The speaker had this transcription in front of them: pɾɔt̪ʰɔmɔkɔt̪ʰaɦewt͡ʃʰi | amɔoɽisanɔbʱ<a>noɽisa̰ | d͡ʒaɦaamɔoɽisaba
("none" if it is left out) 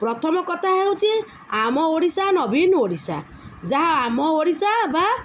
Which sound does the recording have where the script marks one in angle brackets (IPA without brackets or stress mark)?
i